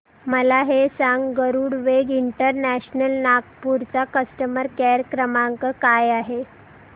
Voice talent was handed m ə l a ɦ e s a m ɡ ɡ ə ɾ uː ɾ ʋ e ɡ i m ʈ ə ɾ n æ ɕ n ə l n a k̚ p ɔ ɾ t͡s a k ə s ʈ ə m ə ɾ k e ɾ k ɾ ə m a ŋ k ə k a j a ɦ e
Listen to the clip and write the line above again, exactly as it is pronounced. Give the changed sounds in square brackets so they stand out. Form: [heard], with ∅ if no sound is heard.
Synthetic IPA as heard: m ə l a ɦ e s a [ŋ] ɡ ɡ ə ɾ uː [ɽ] ʋ e ɡ i [ɳ] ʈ ə ɾ n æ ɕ n ə l n a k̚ p [u] ɾ t͡s a k ə s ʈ ə m ə ɾ k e ɾ k ɾ ə m a ŋ k ə k a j a ɦ e

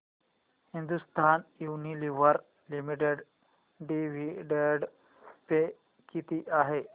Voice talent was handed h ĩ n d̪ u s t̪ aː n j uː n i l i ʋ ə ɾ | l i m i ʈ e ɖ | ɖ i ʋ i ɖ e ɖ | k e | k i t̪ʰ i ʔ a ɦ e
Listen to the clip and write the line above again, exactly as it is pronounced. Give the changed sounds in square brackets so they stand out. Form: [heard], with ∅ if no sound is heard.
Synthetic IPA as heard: h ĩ n d̪ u s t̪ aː n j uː n i l i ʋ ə ɾ | l i m i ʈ e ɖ | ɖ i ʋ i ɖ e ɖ | [p] e | k i [t̪] i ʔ a ɦ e

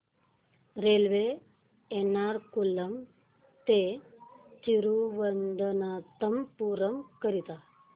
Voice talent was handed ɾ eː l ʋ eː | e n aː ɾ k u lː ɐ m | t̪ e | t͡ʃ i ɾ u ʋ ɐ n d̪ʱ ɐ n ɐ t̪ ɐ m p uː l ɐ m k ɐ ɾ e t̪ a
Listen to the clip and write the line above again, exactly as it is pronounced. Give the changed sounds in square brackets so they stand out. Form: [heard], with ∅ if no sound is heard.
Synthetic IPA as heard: ɾ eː l ʋ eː | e n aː ɾ k u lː ɐ m | t̪ e | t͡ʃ i ɾ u ʋ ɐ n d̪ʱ ɐ n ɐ t̪ ɐ m p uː [ɾ] ɐ m k ɐ ɾ [i] t̪ a

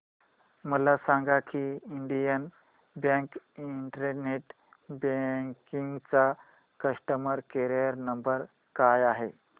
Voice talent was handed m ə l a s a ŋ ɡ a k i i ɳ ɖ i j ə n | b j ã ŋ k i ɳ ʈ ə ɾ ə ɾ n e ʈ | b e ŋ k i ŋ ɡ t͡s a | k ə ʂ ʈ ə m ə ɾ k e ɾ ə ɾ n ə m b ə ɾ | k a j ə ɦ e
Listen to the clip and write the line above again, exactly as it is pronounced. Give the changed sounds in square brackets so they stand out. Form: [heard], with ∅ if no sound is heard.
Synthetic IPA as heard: m ə l a s a ŋ ɡ a k i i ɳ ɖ i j ə n | b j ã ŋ k i ɳ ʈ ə ɾ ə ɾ n e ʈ | b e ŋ k i ŋ ɡ t͡s a | k ə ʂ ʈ ə m ə ɾ k e ɾ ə ɾ n ə m b ə ɾ | k a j [a] ɦ e

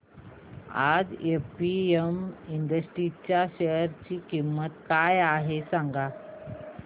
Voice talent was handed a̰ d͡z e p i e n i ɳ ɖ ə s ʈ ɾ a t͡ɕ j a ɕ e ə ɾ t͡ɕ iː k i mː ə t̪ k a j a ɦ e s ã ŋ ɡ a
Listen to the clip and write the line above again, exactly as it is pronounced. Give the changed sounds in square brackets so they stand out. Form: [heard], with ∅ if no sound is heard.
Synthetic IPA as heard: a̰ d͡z e p i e [m] i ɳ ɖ ə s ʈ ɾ [i] t͡ɕ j a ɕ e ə ɾ t͡ɕ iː k i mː ə t̪ k a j a ɦ e s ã ŋ ɡ a

